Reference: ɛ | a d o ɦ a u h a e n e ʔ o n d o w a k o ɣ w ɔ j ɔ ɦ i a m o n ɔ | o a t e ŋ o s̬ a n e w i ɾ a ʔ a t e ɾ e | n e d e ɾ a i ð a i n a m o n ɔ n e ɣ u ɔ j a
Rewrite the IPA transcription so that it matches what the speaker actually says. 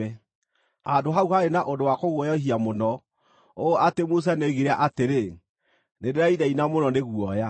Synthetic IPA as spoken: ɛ | a d o ɦ a u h a e n a ʔ o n d o w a k o ɣ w ɔ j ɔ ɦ i a m o n ɔ | o a t e m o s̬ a n e ɣ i ɾ a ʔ a t e ɾ e | n e d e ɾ a i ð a i n a m o n ɔ n e ɣ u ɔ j a